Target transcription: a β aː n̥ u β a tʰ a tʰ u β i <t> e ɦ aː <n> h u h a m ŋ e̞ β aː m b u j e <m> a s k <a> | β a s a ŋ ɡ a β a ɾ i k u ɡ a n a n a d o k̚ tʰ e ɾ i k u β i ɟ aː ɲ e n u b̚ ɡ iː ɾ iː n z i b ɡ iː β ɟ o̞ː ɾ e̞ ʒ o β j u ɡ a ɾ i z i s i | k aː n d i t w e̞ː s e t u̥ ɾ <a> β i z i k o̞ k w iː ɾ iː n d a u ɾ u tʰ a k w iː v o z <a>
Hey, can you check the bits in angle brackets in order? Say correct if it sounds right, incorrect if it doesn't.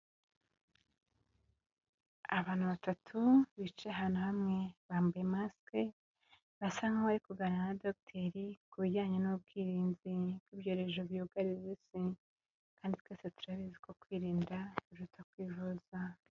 incorrect, correct, correct, incorrect, correct, correct

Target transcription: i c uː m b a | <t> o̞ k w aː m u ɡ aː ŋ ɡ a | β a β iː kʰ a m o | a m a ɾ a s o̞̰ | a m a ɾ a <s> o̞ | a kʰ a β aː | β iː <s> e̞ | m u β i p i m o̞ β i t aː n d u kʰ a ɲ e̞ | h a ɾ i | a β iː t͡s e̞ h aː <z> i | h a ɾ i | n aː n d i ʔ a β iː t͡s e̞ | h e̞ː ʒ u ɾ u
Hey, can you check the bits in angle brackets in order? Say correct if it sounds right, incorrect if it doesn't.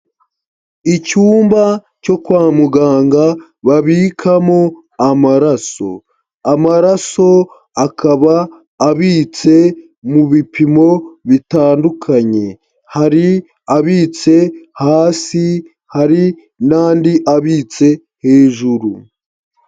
incorrect, correct, incorrect, incorrect

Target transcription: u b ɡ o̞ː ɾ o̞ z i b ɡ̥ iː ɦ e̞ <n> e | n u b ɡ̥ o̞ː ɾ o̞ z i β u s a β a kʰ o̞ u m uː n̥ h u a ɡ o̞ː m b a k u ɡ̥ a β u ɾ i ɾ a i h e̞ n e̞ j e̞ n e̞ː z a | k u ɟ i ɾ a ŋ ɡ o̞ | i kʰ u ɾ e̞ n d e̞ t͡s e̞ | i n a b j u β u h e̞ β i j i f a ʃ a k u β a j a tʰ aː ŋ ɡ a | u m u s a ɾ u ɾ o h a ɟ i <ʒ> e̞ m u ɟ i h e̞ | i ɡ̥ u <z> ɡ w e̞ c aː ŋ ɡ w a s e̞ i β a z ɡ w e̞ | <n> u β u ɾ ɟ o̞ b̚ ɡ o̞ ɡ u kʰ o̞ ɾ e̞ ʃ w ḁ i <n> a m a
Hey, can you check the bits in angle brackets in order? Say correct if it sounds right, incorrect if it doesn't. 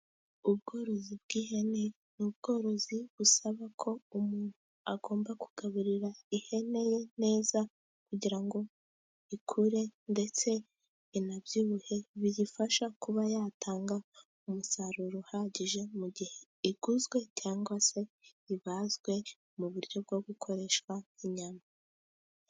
correct, correct, correct, incorrect, incorrect

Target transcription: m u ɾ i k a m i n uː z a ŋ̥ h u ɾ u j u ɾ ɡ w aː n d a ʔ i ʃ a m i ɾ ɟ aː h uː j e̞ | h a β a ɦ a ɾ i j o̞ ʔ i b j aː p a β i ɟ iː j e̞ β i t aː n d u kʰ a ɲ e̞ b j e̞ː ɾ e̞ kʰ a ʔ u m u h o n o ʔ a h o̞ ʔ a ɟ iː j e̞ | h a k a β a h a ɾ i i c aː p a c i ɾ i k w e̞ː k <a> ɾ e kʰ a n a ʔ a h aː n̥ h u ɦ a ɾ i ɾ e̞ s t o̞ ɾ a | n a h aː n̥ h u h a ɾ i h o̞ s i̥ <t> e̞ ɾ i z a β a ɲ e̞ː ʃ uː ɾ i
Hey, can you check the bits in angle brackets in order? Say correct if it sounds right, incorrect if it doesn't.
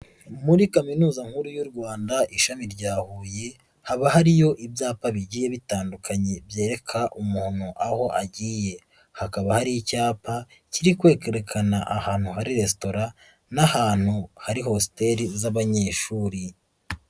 incorrect, correct

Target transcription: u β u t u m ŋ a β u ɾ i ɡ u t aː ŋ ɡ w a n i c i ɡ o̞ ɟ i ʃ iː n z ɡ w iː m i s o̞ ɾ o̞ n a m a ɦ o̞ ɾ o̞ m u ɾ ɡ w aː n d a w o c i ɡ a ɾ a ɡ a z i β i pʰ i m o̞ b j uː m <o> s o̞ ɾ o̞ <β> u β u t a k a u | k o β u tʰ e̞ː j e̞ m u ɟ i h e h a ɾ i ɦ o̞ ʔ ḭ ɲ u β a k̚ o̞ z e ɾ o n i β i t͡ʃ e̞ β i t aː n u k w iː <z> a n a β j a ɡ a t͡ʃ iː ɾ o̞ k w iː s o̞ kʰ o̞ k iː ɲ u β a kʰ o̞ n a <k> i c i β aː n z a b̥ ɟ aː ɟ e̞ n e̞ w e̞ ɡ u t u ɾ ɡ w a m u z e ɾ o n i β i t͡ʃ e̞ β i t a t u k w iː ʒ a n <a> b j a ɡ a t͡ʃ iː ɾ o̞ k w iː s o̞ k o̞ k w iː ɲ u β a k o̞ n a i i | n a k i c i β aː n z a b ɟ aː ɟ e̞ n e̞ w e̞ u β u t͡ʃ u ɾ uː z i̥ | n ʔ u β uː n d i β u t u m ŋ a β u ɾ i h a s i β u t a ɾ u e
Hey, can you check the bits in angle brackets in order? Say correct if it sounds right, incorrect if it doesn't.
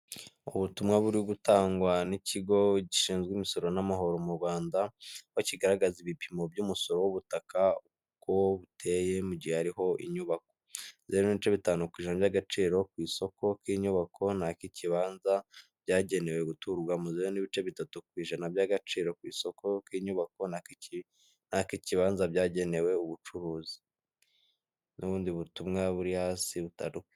incorrect, incorrect, incorrect, correct, correct

